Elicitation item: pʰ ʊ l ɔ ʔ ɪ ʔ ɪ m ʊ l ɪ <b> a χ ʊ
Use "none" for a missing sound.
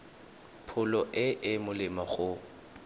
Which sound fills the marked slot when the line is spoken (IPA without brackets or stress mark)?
m